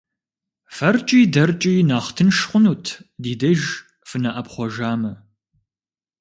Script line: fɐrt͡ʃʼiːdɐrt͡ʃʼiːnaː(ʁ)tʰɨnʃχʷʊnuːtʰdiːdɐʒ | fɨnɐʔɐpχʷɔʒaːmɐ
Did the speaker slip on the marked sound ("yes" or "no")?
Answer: yes